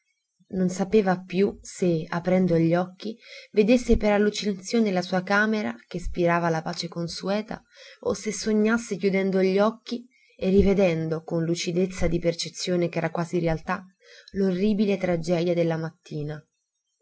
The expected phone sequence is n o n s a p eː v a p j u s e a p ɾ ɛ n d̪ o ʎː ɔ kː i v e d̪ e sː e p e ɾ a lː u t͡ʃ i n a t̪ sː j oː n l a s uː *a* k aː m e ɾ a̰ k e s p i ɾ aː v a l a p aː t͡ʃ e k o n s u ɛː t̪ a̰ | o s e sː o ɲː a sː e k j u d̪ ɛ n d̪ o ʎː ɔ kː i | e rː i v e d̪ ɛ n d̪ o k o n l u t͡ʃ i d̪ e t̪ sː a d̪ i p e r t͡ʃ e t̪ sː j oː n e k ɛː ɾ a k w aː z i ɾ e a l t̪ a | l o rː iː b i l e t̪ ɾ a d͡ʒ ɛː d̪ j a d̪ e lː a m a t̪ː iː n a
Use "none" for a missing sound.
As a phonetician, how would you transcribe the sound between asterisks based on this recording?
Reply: a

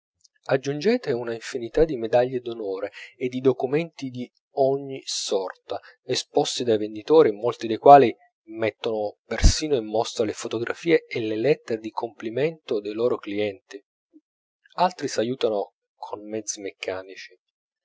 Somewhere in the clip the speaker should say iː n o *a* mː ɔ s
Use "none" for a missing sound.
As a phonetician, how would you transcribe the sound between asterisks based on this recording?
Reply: i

